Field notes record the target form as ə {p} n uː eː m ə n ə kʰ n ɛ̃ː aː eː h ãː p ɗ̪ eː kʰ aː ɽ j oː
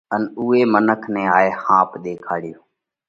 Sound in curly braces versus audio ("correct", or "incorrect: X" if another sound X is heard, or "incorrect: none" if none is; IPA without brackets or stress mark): incorrect: none